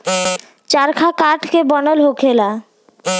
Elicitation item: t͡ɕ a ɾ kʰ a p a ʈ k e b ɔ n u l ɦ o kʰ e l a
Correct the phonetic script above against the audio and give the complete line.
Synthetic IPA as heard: t͡ɕ a ɾ kʰ a k a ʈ k e b ɔ n o l ɦ o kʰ e l a